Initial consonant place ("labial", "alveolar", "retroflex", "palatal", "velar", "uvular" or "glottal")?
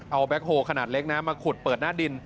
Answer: glottal